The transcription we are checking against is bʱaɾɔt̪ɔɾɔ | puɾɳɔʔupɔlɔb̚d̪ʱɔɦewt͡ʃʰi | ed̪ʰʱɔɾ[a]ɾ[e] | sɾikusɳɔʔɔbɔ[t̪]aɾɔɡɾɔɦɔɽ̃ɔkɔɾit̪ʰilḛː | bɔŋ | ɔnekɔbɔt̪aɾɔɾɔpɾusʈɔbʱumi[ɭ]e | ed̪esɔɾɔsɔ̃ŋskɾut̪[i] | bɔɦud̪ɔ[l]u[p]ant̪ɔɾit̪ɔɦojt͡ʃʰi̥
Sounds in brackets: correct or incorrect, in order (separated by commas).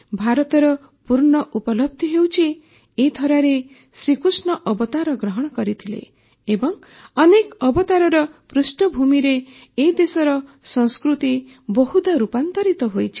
correct, correct, correct, incorrect, correct, incorrect, correct